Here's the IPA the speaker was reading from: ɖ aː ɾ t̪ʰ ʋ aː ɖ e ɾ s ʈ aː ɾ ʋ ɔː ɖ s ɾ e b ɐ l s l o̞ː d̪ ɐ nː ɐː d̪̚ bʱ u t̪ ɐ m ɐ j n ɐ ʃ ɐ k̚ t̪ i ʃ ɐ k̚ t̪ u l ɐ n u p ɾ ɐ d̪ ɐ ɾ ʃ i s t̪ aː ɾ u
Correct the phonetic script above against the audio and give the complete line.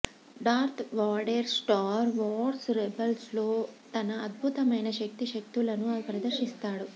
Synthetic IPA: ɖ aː ɾ t̪ʰ ʋ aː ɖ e ɾ s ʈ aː ɾ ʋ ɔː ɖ s ɾ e b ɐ l s l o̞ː t̪ ɐ n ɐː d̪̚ bʱ u t̪ ɐ m ɐ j n ɐ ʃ ɐ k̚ t̪ i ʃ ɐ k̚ t̪ u l ɐ n u p ɾ ɐ d̪ ɐ ɾ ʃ i s t̪ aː ɽ u